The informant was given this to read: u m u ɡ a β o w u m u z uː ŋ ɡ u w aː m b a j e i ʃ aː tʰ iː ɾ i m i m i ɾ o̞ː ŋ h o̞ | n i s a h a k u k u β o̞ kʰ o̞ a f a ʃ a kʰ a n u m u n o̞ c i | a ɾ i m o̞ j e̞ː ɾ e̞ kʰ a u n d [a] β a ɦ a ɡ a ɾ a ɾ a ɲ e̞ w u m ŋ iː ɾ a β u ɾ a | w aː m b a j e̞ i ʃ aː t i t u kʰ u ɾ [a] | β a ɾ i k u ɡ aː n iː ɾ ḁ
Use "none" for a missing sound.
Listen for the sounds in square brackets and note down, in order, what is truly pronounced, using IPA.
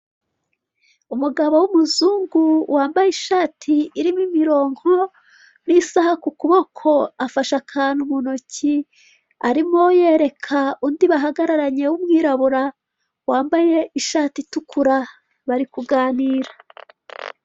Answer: i, a

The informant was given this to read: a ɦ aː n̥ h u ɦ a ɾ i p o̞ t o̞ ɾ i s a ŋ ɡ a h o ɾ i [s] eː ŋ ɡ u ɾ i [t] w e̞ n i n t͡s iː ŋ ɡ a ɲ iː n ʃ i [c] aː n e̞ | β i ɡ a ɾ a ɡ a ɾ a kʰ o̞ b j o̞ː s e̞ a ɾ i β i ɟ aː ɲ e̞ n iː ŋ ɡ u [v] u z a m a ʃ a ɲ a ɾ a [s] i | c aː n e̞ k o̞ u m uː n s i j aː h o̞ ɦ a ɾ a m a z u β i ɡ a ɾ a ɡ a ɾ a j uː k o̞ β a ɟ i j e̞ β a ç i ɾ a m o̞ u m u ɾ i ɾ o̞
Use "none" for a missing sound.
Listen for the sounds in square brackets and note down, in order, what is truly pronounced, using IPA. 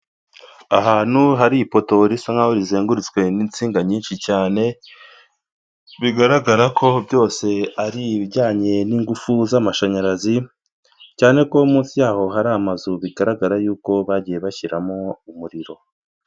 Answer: z, t͡s, c, f, z

